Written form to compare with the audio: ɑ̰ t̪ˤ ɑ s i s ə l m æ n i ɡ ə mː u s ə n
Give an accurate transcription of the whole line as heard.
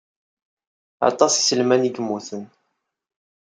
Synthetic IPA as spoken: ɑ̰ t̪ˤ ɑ s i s ə l m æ n i ɡ ə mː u θ ə n